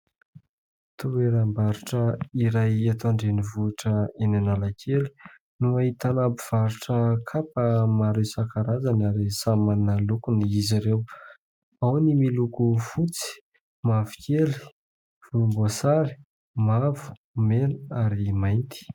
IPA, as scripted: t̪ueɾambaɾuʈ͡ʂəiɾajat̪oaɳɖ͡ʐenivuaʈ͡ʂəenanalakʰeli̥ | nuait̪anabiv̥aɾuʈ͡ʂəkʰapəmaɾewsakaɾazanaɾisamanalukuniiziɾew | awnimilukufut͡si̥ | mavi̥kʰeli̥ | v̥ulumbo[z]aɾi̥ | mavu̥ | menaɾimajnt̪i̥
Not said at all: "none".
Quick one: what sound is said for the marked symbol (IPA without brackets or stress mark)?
s